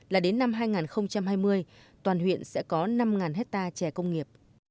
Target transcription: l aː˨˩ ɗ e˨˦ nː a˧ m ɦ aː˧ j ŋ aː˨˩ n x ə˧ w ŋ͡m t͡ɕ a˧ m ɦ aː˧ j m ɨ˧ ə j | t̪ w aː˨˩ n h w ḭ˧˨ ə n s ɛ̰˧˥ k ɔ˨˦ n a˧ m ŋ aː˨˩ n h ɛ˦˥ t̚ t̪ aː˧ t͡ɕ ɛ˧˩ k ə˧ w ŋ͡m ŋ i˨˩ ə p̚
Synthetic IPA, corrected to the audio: l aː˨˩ ɗ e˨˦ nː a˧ m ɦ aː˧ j ŋ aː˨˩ n x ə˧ w ŋ͡m t͡ɕ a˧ m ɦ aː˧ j m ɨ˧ ə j | t̪ w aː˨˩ n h w ḭ˧˨ ə n s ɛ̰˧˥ k ɔ˨˦ n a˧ m ŋ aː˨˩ n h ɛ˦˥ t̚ t̪ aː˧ t͡ɕ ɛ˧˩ k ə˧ w ŋ͡m ŋ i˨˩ ə p̚